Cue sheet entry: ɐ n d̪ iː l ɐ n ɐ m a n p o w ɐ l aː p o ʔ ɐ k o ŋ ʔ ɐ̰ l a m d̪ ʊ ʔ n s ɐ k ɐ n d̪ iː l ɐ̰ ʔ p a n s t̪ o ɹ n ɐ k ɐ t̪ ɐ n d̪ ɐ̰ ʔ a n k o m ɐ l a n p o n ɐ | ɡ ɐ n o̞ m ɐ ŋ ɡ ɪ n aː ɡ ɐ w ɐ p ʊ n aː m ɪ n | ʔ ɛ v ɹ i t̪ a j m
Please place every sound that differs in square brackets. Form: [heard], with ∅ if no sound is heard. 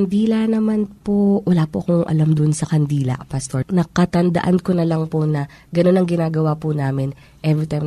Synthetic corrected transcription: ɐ n d̪ iː l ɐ n ɐ m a n p o w ɐ l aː p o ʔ ɐ k o ŋ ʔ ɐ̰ l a m d̪ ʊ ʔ n s ɐ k ɐ n d̪ iː l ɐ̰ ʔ p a [∅] s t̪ o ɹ n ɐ k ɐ t̪ ɐ n d̪ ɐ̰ ʔ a n k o [n] ɐ l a [ŋ] p o n ɐ | ɡ ɐ n o̞ [n] ɐ ŋ ɡ ɪ n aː ɡ ɐ w [a] p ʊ n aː m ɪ n | ʔ ɛ v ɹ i t̪ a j m